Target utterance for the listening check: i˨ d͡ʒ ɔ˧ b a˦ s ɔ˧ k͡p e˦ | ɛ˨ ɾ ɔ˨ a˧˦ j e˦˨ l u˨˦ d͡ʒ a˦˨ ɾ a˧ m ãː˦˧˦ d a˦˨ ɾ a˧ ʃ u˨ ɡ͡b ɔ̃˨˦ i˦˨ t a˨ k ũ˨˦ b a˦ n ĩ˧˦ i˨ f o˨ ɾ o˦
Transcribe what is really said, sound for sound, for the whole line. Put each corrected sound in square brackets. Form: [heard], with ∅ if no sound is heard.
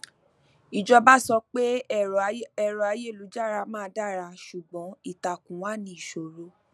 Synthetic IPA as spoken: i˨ d͡ʒ ɔ˧ b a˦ s ɔ˧ k͡p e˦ | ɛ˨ ɾ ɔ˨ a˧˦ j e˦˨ l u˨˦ d͡ʒ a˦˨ ɾ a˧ m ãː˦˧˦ d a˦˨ ɾ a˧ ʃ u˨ ɡ͡b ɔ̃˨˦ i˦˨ t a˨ k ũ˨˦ [w] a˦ n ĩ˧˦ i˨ [ʃ] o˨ ɾ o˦